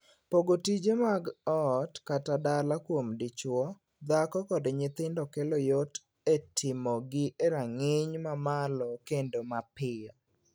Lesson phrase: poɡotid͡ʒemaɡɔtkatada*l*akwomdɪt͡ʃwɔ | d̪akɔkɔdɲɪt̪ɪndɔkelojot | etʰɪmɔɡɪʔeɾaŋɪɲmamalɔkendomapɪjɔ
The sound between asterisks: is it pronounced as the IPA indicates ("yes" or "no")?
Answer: yes